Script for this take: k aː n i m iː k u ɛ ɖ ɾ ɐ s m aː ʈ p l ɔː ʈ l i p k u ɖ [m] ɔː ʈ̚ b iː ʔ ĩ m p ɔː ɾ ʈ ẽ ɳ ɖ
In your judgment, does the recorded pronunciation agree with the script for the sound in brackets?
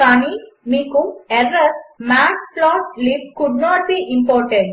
no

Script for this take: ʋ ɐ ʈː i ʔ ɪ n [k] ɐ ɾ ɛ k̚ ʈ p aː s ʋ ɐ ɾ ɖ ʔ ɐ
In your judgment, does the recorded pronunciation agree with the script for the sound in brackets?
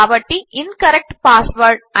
yes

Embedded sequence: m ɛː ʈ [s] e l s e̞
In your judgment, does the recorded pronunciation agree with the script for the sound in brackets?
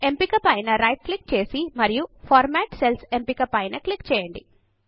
yes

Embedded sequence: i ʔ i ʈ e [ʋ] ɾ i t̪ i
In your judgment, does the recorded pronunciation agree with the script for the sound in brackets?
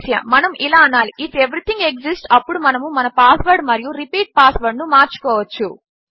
yes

